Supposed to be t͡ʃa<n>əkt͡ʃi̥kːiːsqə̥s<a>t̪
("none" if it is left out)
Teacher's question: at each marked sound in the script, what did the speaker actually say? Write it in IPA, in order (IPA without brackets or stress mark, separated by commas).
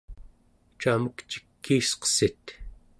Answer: m, i